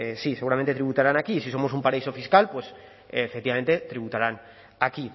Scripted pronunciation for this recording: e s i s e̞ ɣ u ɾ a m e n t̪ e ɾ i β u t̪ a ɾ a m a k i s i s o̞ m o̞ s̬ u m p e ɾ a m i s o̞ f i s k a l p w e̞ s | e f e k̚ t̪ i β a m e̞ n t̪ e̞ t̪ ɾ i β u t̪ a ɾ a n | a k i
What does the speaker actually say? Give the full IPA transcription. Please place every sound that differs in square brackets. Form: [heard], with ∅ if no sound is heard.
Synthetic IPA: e s i s e̞ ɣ u ɾ a m e n t̪ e ɾ i β u t̪ a ɾ a [n] a k i s i s o̞ m o̞ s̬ u m p [a] ɾ a [∅] i s o̞ f i s k a l p w e̞ s | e f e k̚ t̪ i β a m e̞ n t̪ e̞ t̪ ɾ i β u t̪ a ɾ a n | a k i

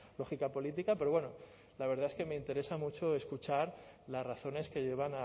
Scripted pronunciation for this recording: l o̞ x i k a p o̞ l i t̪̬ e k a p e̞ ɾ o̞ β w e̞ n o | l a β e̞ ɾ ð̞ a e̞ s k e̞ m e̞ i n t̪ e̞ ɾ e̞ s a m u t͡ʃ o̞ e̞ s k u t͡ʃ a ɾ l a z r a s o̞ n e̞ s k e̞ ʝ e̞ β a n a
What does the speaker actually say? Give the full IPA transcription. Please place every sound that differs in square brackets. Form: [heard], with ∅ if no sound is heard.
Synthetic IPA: l o̞ x i k a p o̞ l i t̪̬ [i] k a p e̞ ɾ o̞ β w e̞ n o | l a β e̞ ɾ ð̞ a e̞ s k e̞ m e̞ i n t̪ e̞ ɾ e̞ s a m u t͡ʃ o̞ e̞ s k u t͡ʃ a ɾ l a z r a [θ] o̞ n e̞ s k e̞ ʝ e̞ β a n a

